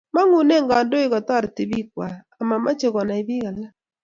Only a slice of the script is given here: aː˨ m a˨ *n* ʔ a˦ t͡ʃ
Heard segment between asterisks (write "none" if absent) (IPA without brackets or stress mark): m